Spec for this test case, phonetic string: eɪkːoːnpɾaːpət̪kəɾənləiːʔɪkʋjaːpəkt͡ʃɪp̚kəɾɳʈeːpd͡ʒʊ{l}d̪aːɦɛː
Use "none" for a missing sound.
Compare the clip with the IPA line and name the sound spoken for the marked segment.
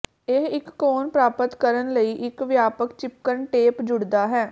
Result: ɽ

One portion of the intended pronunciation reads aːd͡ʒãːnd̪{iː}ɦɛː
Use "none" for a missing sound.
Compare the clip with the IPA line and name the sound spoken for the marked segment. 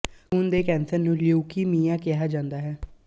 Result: aː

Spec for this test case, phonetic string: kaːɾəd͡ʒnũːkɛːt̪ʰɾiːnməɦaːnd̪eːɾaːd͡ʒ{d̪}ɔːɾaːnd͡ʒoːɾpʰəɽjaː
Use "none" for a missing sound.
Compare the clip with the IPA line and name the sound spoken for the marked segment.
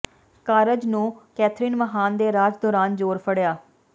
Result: d̪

